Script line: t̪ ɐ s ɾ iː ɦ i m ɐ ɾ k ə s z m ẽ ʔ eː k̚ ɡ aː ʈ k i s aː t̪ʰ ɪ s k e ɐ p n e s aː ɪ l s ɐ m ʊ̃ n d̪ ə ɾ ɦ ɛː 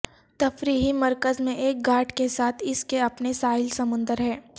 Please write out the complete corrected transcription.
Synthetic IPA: t̪ ɐ f ɾ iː ɦ i m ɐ ɾ k ə z m ẽ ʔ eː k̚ ɡ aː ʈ k e s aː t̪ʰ ɪ s k e ɐ p n e s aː ɪ l s ɐ m ʊ̃ n d̪ ə ɾ ɦ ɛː